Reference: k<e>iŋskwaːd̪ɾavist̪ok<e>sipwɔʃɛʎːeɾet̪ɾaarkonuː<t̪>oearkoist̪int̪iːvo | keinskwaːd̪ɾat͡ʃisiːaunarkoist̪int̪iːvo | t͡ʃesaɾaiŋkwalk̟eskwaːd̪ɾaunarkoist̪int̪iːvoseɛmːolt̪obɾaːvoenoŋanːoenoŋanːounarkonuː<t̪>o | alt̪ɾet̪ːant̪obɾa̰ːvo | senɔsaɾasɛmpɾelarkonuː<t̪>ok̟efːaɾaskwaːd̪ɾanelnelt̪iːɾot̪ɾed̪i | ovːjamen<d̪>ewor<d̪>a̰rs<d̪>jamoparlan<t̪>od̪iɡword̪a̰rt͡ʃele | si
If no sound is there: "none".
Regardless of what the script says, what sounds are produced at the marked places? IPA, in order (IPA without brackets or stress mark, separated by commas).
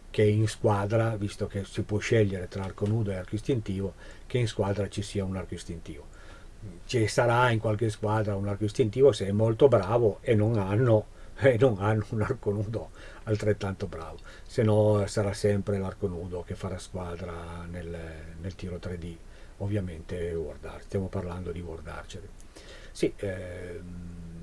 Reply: e, e, d̪, d̪, d̪, t̪, d̪, t̪, d̪